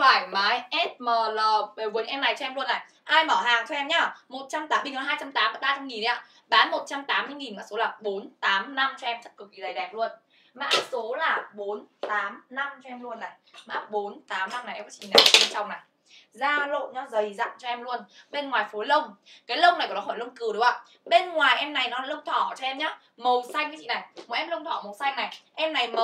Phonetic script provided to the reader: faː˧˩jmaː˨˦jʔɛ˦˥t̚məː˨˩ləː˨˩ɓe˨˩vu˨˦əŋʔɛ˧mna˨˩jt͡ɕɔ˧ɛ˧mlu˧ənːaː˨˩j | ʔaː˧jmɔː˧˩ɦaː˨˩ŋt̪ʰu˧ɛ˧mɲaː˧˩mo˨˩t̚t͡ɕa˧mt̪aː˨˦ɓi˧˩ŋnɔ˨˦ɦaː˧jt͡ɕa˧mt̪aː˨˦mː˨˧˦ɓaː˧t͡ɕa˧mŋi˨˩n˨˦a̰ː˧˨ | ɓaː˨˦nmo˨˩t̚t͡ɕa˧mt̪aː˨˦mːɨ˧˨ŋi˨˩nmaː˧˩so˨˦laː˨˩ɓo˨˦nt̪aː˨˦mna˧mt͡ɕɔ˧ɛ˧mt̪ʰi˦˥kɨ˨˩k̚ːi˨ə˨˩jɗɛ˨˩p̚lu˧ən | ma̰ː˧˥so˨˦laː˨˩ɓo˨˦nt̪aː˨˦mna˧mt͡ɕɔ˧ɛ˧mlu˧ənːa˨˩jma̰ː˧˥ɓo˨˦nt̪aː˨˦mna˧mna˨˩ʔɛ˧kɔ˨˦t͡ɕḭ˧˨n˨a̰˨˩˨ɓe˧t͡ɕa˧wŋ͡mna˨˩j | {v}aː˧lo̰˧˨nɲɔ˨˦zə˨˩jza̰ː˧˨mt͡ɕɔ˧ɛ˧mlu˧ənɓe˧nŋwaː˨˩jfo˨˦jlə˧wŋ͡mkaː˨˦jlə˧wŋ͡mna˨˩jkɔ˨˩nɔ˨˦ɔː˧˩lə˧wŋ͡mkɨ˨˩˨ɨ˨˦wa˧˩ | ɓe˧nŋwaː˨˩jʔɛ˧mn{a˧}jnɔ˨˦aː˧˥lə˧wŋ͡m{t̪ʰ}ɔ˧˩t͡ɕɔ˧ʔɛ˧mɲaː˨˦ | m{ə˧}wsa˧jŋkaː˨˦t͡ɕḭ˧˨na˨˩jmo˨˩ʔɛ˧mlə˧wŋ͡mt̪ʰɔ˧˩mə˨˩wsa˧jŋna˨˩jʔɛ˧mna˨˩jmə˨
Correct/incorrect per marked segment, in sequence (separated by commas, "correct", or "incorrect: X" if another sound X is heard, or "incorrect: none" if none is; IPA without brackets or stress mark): incorrect: z, incorrect: a˨˩, correct, incorrect: ə˨˩